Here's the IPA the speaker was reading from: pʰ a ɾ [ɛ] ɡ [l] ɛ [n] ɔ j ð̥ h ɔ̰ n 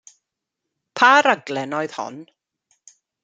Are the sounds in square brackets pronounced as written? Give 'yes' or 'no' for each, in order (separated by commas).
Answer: no, yes, yes